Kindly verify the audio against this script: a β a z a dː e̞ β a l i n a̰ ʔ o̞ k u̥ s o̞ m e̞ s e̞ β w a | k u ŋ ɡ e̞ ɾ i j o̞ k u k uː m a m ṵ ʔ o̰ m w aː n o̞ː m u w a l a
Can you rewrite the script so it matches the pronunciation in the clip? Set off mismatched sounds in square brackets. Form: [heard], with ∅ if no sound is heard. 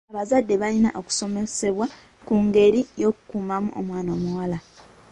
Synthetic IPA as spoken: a β a z a dː e̞ β a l i n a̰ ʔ o̞ k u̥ s o̞ m e̞ s e̞ β w a | k u ŋ ɡ e̞ ɾ i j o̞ k u k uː m a m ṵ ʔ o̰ m w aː n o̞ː m u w a l a

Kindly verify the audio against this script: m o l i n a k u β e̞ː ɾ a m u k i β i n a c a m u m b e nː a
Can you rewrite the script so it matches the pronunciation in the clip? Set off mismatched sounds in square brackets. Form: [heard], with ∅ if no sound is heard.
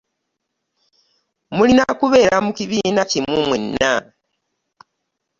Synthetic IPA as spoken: m [u] l i n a k u β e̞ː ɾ a m u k i β i n a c [i] m u m [w] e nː a

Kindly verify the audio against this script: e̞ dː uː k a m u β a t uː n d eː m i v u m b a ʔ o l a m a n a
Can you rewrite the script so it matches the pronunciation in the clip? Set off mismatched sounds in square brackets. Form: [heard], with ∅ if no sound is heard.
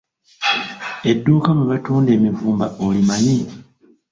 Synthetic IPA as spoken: e̞ dː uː k a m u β a t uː n d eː m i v [uː] m b a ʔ o l [i] m a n [i]

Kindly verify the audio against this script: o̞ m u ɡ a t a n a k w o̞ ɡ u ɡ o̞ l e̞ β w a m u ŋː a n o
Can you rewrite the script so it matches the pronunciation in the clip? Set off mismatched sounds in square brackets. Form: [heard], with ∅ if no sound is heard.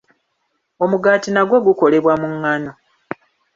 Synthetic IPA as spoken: o̞ m u ɡ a t [i] n a [ɡ] w o̞ ɡ u [k] o̞ l e̞ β w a m u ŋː a n o

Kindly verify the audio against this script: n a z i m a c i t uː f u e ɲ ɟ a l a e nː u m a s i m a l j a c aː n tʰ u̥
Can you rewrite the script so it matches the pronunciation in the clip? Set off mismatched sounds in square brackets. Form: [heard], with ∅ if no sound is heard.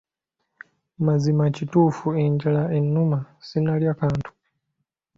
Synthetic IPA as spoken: [m] a z i m a c i t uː f u e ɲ ɟ a l a e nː u m a s i [n] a l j a [k] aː n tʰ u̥

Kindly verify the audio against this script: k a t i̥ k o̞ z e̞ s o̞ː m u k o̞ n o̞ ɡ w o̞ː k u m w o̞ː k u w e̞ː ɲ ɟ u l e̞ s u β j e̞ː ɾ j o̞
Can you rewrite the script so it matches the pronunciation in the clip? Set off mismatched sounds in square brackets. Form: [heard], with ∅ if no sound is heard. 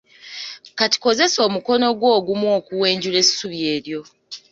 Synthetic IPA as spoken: k a t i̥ k o̞ z e̞ s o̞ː m u k o̞ n o̞ ɡ w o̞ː [ɡ] u m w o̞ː k u w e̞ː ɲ ɟ u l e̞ s u β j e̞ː ɾ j o̞

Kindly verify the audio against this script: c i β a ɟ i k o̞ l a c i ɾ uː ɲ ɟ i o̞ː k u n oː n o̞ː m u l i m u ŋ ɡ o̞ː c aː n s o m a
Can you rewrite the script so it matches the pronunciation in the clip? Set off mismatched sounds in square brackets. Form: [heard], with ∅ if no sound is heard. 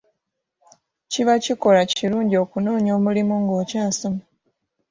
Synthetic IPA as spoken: c i β a [c] i k o̞ l a c i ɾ uː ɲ ɟ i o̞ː k u n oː [ɲ] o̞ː m u l i m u ŋ ɡ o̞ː c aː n s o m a

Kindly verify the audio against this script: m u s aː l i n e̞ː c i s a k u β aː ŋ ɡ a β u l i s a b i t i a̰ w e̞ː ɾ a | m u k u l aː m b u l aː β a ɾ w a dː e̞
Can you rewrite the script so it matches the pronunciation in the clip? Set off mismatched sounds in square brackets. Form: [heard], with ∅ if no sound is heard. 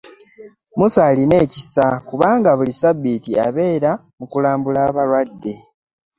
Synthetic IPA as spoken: m u s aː l i n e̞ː c i s a k u β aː ŋ ɡ a β u l i s a b i t i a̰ [β] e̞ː ɾ a | m u k u l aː m b u l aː β a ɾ w a dː e̞

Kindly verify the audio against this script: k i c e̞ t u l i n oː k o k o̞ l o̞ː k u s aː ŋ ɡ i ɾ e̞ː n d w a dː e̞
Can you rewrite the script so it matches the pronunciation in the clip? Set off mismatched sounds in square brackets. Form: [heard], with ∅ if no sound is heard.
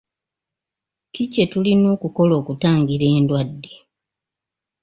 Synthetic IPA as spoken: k i c e̞ t u l i n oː k [u] k o̞ l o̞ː k u [t] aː ŋ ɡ i ɾ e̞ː n d w a dː e̞

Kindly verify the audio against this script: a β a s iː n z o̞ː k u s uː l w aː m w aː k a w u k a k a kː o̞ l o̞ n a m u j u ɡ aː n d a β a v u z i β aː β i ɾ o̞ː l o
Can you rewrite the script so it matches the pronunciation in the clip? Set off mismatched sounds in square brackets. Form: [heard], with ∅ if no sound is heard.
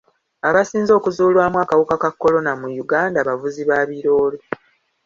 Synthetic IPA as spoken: a β a s iː n z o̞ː k u [z] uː l w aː m w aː k a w u k a k a kː o̞ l o̞ n a m u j u ɡ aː n d a β a v u z i β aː β i ɾ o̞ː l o

